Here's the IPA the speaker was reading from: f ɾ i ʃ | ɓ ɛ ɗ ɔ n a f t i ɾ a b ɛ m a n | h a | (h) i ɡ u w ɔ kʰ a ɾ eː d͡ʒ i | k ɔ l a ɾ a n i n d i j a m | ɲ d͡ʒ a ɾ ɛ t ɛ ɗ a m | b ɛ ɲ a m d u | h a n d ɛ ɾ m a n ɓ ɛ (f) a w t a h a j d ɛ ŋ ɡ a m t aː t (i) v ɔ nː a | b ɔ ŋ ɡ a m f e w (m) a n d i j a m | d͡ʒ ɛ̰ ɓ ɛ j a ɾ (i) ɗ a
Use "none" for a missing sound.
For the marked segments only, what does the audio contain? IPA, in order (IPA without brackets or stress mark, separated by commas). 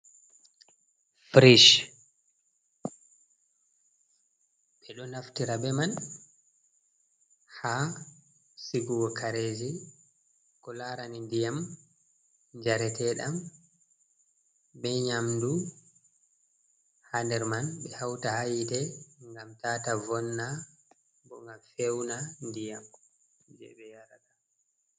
s, h, a, n, a